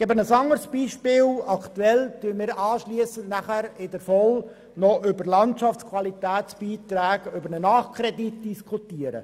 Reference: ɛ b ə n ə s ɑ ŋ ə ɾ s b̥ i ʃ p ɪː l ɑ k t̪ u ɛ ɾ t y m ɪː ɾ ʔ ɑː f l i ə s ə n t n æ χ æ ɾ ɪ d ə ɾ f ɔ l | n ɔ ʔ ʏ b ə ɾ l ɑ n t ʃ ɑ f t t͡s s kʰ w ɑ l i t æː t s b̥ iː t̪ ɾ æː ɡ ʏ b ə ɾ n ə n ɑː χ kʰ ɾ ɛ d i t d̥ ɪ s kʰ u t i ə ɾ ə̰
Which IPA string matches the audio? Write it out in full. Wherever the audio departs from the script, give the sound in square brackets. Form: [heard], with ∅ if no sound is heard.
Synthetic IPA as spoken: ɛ b ə n ə s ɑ ŋ ə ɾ s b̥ [iː] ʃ p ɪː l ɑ k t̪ u ɛ [l] t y m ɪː ɾ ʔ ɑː [ʃ] l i ə s ə n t n æ χ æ ɾ ɪ d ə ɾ f ɔ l | n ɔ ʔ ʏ b ə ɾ l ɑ n t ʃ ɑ f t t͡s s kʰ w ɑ l i t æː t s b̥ iː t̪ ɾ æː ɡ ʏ b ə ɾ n ə n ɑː χ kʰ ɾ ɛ d i t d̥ [i] s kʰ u t i ə ɾ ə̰